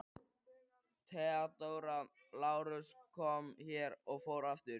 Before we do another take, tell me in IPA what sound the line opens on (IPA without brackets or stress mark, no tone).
t̪ʰ